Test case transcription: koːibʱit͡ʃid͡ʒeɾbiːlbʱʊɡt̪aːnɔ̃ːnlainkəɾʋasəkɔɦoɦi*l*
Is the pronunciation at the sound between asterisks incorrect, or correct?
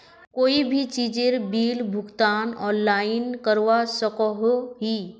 incorrect: none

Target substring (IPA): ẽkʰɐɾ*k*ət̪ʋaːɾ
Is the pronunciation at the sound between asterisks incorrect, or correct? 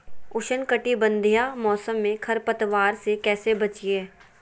incorrect: p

